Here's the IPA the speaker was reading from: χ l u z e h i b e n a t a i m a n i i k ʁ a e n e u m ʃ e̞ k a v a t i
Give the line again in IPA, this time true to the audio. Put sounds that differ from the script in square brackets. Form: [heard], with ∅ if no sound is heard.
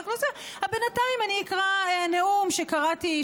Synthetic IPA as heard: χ l [o] z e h [a] b e n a t a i m a n i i k ʁ a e n e u m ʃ e̞ k a [ʁ] a t i